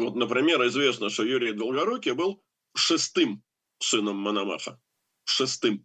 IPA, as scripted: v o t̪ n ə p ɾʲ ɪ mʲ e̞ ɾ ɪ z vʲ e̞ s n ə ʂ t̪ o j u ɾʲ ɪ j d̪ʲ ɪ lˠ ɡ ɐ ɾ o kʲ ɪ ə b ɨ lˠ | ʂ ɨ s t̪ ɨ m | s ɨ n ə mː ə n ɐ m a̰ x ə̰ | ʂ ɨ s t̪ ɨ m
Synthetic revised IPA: v o t̪ n ə p ɾʲ ɪ mʲ e̞ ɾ ɪ z vʲ e̞ s n ə ʂ t̪ o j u ɾʲ ɪ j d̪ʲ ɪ lˠ ɡ ɐ ɾ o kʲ ɪ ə b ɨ lˠ | ʂ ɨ s t̪ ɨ m | s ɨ n ə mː ə n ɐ m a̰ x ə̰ | ʂ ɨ s t̪ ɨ m